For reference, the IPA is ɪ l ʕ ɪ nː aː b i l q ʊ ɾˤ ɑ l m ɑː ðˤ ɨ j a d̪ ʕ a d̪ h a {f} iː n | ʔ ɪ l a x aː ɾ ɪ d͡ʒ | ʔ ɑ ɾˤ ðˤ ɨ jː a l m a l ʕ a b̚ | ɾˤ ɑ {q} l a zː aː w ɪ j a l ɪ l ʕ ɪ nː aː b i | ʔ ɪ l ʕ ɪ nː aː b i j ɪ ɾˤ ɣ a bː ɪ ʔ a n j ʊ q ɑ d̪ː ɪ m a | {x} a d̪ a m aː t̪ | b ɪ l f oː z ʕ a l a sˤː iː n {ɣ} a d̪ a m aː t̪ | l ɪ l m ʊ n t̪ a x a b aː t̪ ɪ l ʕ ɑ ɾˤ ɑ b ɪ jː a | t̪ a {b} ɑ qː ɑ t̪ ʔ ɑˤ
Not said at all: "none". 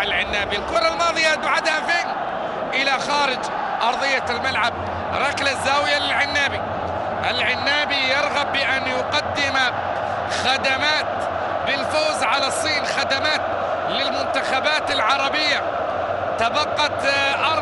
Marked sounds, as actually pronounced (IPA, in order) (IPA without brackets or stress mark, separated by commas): f, k, x, x, b